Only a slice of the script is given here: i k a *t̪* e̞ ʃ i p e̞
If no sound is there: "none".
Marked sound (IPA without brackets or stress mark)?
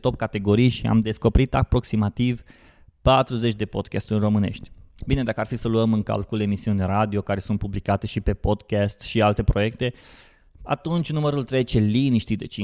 t̪